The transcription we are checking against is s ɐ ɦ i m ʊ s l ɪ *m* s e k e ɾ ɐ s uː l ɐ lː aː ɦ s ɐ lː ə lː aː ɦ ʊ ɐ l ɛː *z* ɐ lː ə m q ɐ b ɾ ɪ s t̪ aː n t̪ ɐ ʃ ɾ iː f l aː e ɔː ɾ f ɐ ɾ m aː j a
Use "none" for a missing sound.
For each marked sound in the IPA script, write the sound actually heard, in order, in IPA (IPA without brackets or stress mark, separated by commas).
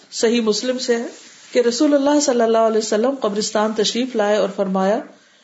m, s